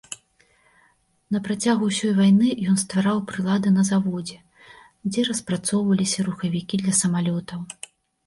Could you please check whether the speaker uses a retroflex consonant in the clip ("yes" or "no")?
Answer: no